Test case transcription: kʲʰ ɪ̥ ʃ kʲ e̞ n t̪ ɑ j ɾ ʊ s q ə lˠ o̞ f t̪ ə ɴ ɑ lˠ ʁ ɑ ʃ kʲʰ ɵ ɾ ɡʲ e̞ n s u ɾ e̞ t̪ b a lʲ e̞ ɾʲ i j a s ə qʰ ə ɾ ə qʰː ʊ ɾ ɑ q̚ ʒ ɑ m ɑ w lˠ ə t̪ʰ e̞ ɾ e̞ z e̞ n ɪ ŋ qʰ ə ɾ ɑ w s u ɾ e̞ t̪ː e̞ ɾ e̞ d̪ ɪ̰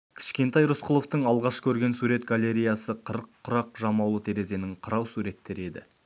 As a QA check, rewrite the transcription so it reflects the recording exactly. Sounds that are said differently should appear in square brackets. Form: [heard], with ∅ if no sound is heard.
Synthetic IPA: kʲʰ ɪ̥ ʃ kʲ e̞ n t̪ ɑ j ɾ ʊ s q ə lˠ o̞ f t̪ ə ɴ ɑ lˠ ʁ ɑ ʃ kʲʰ ɵ ɾ ɡʲ e̞ n s u ɾ e̞ t̪ [ɡ] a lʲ e̞ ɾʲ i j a s ə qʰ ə ɾ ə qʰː ʊ ɾ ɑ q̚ ʒ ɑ m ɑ w lˠ ə t̪ʰ e̞ ɾ e̞ z e̞ n ɪ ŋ qʰ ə ɾ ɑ w s u ɾ e̞ t̪ː e̞ ɾ e̞ d̪ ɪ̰